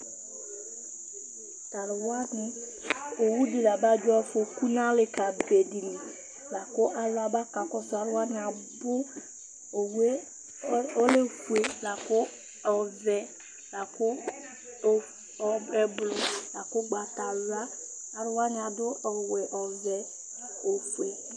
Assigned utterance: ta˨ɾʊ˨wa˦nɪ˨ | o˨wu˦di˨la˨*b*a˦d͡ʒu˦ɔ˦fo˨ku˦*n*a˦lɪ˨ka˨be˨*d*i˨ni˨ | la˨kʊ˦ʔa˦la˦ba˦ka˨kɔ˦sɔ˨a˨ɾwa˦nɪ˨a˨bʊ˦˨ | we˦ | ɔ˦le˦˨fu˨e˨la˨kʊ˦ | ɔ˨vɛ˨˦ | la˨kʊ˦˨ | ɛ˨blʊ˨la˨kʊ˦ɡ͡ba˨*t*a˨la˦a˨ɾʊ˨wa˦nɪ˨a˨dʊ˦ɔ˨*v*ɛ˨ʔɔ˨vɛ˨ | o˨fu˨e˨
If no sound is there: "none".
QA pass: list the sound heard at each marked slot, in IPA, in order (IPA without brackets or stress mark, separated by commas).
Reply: b, n, d, t, w